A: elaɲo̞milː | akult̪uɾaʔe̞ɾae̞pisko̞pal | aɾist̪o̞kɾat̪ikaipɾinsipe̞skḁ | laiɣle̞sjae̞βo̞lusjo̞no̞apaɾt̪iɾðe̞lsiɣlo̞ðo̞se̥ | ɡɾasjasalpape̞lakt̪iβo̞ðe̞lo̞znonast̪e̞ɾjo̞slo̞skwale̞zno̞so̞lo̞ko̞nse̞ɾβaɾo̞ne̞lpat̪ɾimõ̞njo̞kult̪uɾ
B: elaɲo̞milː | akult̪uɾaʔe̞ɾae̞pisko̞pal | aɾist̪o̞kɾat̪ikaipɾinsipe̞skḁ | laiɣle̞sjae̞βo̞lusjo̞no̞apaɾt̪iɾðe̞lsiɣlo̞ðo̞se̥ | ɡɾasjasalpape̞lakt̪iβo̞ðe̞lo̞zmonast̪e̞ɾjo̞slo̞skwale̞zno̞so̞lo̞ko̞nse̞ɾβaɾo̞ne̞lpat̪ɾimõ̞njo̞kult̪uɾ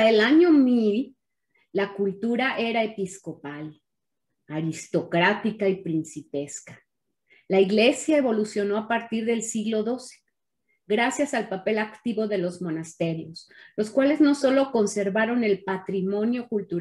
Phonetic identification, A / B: B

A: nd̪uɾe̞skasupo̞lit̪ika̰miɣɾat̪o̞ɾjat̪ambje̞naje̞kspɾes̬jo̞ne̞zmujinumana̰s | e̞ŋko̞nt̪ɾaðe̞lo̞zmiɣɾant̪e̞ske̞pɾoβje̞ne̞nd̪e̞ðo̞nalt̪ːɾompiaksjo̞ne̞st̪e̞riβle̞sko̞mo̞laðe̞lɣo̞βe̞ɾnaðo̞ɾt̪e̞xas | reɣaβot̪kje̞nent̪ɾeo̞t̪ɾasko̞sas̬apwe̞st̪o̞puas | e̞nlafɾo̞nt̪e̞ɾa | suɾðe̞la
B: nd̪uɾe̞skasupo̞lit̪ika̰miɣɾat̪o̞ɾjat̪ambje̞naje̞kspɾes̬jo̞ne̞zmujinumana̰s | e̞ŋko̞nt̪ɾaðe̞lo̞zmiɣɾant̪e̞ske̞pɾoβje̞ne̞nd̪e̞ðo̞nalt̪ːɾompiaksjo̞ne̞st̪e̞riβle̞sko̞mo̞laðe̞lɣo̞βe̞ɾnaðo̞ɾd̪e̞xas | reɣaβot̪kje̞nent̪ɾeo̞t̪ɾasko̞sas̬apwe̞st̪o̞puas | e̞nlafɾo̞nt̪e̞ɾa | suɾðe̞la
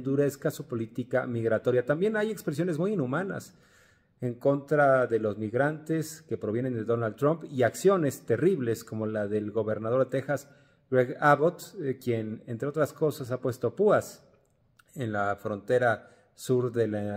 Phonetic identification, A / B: A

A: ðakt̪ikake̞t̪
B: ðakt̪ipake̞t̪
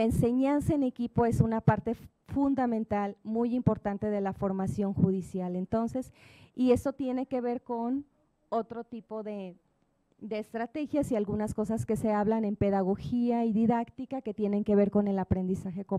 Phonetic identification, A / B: A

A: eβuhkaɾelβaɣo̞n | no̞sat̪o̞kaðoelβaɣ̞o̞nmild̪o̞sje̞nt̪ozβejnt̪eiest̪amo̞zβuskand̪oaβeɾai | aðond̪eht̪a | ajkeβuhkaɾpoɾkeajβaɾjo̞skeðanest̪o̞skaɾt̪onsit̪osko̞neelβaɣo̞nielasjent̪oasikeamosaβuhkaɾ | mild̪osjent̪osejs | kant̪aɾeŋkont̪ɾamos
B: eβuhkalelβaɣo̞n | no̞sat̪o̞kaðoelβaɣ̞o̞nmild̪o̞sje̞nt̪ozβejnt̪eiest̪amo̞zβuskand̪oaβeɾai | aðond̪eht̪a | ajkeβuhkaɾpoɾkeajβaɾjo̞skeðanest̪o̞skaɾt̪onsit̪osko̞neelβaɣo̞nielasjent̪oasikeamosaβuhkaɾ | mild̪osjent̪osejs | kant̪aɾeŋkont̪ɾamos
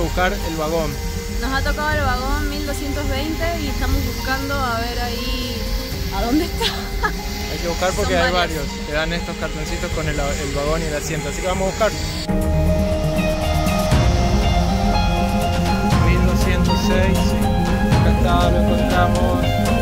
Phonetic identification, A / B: A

